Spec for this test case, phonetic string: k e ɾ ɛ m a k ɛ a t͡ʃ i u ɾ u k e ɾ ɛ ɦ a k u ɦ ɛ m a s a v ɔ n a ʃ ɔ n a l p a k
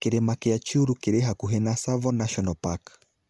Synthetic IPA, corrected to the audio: k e ɾ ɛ m a k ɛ a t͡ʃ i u ɾ u k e ɾ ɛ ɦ a k u ɦ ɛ n a s a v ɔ n a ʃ ɔ n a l p a k

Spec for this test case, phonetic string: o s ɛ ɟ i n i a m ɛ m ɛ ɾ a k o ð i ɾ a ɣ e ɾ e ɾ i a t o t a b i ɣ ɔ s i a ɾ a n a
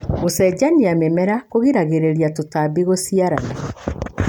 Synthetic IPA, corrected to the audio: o s ɛ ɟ a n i a m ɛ m ɛ ɾ a k o ɣ i ɾ a ɣ e ɾ e ɾ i a t o t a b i ɣ o s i a ɾ a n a

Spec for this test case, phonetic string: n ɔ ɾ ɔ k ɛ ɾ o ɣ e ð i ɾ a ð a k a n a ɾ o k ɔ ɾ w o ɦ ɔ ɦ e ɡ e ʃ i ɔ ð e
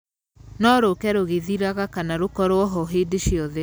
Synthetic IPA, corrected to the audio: n ɔ ɾ o k ɛ ɾ o ɣ e ð i ɾ a ɣ a k a n a ɾ o k ɔ ɾ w ɔ ɦ ɔ ɦ e d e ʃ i ɔ ð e

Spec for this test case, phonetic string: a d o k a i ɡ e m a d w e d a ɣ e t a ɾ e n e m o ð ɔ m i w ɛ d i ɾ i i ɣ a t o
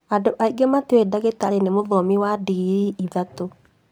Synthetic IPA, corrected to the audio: a d o ʔ a i ɡ e m a t w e d a ɣ e t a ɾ e n e m o ð ɔ m i w a d i ɾ i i ð a t o

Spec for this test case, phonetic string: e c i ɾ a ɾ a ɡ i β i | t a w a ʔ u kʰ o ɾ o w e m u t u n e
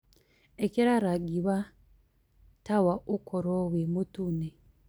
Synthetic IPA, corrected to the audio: e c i ɾ a ɾ a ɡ i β a | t a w a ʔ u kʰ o ɾ o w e m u t u n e

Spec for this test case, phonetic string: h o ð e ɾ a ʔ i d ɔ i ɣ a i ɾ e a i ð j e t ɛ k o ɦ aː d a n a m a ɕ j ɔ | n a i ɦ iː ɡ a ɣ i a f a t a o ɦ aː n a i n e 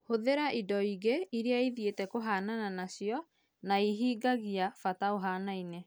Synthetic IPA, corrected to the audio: h o ð e ɾ a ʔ i d ɔ i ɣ e i ɾ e a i ð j e t ɛ k o ɦ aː n a n a n a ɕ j ɔ | n a i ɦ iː ɡ a ɣ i a f a t a o ɦ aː n a i n e

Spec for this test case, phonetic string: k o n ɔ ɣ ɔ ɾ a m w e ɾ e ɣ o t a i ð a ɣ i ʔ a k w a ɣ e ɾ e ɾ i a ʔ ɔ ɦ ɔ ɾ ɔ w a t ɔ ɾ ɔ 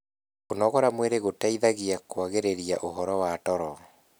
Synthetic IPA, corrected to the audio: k o n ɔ ɣ ɔ ɾ a m w e ɾ e ɣ o t a i ð a ɣ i a k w a ɣ e ɾ e ɾ i a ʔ o ɦ ɔ ɾ ɔ w a t ɔ ɾ ɔ

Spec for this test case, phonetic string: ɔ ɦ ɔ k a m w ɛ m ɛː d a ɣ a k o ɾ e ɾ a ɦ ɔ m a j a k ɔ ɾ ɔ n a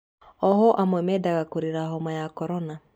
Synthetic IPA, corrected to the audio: ɔ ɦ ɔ ʔ a m w ɛ m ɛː d a ɣ a k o ɾ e ɾ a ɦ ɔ m a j a k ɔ ɾ ɔ n a

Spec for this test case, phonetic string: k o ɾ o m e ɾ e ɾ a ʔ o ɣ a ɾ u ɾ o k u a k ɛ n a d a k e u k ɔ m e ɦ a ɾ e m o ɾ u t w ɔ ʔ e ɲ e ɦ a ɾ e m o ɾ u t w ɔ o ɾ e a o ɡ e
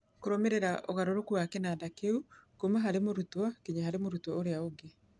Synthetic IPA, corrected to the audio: k o ɾ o m e ɾ e ɾ a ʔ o ɣ a ɾ o ɾ o k u a k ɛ n a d a k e u k o m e ɦ a ɾ e m o ɾ u t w ɔ k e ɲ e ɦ a ɾ e m o ɾ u t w ɔ o ɾ e a o ɡ e

